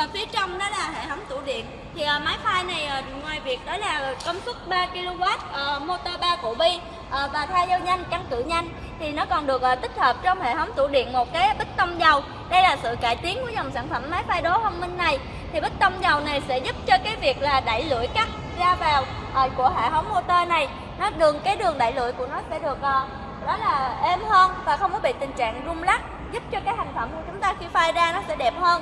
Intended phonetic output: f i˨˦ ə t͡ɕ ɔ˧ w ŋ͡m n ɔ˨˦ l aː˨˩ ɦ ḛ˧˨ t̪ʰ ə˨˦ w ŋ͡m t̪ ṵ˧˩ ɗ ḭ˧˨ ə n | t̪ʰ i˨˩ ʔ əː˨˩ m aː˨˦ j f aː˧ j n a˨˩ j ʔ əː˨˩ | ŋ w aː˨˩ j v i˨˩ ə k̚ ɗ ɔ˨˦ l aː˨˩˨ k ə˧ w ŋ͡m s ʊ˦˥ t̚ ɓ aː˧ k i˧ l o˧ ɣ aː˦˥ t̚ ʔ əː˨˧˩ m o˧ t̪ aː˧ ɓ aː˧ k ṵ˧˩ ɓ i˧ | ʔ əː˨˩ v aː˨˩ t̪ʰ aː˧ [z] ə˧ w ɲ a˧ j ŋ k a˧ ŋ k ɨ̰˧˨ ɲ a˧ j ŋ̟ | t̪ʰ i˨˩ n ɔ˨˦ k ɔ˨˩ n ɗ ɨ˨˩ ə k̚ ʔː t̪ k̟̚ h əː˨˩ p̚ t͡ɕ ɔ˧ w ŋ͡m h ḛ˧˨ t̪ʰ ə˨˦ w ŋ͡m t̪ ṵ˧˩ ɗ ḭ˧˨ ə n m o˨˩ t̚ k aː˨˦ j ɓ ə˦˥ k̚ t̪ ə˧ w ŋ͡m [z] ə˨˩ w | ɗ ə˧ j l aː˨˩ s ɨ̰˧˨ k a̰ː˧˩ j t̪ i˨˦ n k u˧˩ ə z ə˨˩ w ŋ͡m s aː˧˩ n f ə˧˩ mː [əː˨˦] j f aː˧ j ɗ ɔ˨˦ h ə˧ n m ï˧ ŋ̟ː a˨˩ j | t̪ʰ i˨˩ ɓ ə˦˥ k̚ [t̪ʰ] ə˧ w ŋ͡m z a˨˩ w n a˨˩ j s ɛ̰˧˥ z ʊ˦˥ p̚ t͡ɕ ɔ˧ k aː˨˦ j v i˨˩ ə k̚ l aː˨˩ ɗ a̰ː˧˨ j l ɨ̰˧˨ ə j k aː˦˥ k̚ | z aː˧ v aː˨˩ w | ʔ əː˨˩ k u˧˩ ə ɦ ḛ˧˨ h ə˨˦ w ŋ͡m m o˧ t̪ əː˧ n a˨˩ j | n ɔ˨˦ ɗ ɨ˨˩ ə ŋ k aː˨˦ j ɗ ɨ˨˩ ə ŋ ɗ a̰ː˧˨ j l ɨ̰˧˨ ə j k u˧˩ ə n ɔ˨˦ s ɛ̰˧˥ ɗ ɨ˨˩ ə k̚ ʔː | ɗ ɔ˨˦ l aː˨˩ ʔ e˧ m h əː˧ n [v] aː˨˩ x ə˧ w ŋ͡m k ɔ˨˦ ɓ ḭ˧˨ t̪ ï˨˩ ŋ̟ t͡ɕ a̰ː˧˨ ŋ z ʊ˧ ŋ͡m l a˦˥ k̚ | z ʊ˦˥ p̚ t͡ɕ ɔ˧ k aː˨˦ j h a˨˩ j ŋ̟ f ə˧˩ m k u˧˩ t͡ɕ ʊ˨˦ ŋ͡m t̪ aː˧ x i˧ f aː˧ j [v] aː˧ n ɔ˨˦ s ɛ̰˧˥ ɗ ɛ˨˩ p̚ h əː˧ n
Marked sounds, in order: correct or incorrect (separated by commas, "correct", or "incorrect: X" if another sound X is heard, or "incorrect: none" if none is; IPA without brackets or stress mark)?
correct, correct, incorrect: aː˨˦, incorrect: t̪, correct, incorrect: z